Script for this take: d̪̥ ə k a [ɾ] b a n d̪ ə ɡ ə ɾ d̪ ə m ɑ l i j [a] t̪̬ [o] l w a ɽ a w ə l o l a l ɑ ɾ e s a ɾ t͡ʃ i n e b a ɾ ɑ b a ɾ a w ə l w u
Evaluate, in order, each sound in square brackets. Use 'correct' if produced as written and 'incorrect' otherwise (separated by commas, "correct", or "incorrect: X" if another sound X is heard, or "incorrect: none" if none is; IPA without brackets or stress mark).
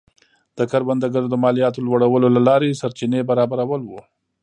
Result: correct, incorrect: ɑ, correct